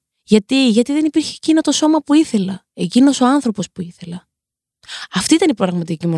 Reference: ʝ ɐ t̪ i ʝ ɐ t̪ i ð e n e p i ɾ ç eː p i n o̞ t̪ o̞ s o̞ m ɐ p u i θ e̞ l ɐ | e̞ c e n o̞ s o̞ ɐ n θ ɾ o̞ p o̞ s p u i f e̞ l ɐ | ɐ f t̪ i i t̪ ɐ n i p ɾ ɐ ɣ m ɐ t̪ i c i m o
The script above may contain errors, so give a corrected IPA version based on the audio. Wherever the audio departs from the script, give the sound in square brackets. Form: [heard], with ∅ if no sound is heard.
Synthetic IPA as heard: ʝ ɐ t̪ i ʝ ɐ t̪ i ð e n [i] p i ɾ ç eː [c] i n o̞ t̪ o̞ s o̞ m ɐ p u i θ e̞ l ɐ | e̞ c [i] n o̞ s o̞ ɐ n θ ɾ o̞ p o̞ s p u i [θ] e̞ l ɐ | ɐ f t̪ i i t̪ ɐ n i p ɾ ɐ ɣ m ɐ t̪ i c i m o